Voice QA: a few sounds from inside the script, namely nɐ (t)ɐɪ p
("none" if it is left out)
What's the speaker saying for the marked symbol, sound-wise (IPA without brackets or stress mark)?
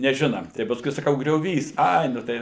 t